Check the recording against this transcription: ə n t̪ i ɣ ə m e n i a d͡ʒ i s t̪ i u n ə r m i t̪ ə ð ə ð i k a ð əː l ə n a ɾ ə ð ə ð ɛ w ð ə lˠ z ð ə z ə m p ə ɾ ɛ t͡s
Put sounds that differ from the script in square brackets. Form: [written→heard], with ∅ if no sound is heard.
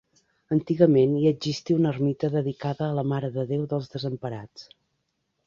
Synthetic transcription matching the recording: ə n t̪ i ɣ ə m e n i [a→ə] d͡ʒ i s t̪ i u n ə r m i t̪ ə ð ə ð i k a ð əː l ə [n→m] a ɾ ə ð ə ð [ɛ→e] w ð ə lˠ z ð ə z ə m p ə ɾ [ɛ→a] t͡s